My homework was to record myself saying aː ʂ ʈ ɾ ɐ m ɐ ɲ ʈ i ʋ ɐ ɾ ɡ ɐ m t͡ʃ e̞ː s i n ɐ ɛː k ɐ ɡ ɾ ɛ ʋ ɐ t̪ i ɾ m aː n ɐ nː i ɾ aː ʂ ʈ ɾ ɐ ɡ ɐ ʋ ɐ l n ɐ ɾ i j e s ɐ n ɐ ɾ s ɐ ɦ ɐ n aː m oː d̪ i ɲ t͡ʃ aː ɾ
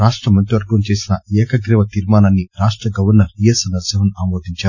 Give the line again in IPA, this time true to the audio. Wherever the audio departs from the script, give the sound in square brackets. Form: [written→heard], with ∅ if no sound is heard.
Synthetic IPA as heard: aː ʂ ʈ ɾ ɐ m ɐ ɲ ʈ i ʋ ɐ ɾ ɡ ɐ m t͡ʃ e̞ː s i n ɐ ɛː k ɐ ɡ ɾ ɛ ʋ ɐ t̪ i ɾ m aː n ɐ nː i ɾ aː ʂ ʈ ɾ ɐ ɡ ɐ ʋ ɐ [l→ɾ] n ɐ ɾ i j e s ɐ n ɐ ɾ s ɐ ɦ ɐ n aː m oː d̪ i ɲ t͡ʃ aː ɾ